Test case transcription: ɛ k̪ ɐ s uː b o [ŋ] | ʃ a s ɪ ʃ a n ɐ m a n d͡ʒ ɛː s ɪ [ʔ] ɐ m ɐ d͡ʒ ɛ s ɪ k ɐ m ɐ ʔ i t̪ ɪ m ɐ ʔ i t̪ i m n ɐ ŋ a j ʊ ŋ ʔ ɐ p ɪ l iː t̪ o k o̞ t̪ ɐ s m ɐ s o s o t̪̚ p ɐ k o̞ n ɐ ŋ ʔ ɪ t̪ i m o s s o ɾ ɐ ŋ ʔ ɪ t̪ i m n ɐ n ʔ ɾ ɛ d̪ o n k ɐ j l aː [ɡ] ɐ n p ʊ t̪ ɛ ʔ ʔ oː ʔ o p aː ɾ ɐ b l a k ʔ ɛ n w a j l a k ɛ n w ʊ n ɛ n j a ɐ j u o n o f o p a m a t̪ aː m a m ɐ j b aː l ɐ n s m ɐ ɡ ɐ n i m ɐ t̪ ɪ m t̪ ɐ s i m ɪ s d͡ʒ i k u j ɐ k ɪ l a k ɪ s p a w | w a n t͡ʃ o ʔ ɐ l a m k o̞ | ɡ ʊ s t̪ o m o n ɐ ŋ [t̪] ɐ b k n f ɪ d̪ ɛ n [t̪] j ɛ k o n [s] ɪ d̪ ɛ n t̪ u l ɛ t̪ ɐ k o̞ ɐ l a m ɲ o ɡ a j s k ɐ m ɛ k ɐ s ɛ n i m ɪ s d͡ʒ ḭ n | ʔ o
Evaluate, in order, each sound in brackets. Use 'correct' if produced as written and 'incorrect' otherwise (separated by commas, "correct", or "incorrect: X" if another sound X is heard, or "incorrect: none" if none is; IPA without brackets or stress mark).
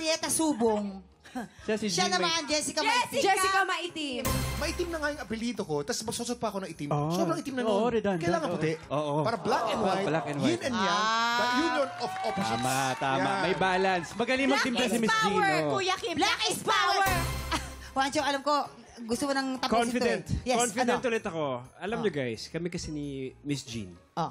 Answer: correct, incorrect: k, incorrect: ŋ, correct, correct, incorrect: f